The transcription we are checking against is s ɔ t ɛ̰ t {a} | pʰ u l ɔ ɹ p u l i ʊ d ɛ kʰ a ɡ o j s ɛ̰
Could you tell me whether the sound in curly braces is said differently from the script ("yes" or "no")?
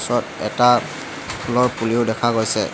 no